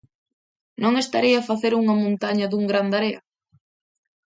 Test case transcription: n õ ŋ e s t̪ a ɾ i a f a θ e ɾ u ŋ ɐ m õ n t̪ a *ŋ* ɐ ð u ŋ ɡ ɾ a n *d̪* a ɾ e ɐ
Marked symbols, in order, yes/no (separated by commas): no, yes